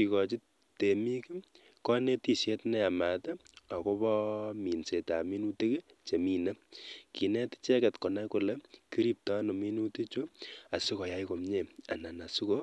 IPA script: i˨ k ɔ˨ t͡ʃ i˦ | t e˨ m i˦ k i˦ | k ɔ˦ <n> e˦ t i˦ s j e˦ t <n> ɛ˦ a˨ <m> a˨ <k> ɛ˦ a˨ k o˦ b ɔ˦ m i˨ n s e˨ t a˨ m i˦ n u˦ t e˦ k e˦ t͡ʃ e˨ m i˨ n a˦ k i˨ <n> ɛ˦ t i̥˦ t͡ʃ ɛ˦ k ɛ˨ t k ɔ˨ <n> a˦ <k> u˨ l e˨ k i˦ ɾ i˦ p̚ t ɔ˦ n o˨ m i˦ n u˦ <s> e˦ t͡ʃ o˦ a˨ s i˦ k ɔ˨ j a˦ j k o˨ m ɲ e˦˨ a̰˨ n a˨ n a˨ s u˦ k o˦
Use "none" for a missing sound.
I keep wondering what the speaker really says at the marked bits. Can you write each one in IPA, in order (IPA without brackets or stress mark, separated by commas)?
n, n, m, t, n, n, k, t